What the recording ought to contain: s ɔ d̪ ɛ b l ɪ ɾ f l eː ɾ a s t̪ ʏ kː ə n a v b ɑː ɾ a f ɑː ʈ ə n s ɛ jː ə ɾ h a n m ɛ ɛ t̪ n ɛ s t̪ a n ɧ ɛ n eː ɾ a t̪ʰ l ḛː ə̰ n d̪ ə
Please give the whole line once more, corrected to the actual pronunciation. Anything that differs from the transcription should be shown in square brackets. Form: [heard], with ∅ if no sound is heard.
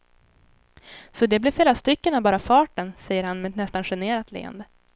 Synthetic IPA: s ɔ d̪ ɛ b l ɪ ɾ f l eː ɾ a s t̪ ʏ kː ə n a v b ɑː ɾ a f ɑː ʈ ə n s ɛ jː ə ɾ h a n m ɛ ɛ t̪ n ɛ s t̪ a n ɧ ɛ n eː ɾ a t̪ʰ l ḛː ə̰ n d̪ ə

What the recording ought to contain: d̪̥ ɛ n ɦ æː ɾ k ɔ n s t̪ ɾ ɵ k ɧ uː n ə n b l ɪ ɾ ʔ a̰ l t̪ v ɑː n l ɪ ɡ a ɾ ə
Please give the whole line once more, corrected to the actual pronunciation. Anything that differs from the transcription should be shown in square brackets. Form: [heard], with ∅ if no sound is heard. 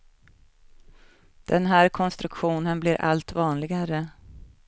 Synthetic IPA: d̪̥ ɛ n ɦ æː ɾ [kʰ] ɔ n s t̪ ɾ ɵ k ɧ uː n ə n b l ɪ ɾ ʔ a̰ l t̪ v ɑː n l ɪ ɡ a ɾ ə

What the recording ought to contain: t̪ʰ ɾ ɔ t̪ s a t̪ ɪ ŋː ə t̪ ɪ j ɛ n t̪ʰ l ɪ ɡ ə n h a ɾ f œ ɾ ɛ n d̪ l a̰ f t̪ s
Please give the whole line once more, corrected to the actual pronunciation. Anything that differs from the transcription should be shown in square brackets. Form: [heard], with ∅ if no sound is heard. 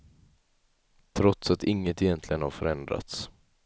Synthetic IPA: t̪ʰ ɾ ɔ t̪ s a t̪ ɪ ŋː ə t̪ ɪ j ɛ n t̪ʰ l ɪ ɡ ə n h a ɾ f œ ɾ ɛ n d̪ [ɾ] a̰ [∅] t̪ s

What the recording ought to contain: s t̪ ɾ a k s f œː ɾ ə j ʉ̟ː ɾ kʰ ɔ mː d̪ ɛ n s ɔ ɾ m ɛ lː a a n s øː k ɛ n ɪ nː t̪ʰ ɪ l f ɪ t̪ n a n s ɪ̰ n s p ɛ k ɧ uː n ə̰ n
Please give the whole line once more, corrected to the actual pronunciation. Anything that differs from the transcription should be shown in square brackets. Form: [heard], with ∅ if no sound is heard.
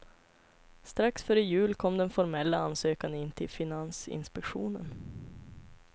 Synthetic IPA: s t̪ ɾ a k s f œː ɾ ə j ʉ̟ː [l] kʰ ɔ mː d̪ ɛ n [f] ɔ ɾ m ɛ lː a a n s øː k [a] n ɪ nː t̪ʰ ɪ l f ɪ [∅] n a n s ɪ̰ n s p ɛ k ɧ uː n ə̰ n

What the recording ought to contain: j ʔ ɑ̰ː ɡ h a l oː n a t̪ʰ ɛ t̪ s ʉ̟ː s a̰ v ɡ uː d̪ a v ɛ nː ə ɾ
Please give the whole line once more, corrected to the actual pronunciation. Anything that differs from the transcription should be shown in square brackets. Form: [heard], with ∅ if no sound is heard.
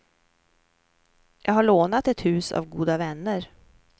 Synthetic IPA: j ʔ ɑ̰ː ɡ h a [ɭ] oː n a [t̪] ɛ t̪ [h] ʉ̟ː s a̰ v ɡ uː d̪ a v ɛ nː ə ɾ

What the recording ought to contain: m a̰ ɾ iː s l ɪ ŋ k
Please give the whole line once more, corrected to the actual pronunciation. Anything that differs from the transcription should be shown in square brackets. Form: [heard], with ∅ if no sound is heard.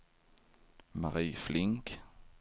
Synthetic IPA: m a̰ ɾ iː [f] l ɪ ŋ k

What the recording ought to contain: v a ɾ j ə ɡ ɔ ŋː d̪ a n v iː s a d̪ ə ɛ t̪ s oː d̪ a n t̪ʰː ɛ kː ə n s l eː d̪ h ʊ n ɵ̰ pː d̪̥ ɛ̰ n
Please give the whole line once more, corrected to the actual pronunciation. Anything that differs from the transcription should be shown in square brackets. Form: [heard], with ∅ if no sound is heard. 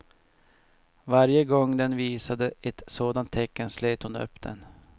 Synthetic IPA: v a ɾ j ə ɡ ɔ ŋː d̪ [ɛ] n v iː s a d̪ ə ɛ t̪ s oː d̪ a n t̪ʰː ɛ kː ə n s l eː [t̪] h ʊ n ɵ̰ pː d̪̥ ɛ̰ n

